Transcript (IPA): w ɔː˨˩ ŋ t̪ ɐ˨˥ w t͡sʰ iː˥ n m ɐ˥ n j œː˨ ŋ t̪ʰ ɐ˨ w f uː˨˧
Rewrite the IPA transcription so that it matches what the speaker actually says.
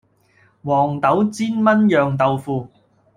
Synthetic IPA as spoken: w ɔː˨˩ ŋ t̪ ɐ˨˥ w t͡s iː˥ n m ɐ˥ n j œː˨ ŋ t̪ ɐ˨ w f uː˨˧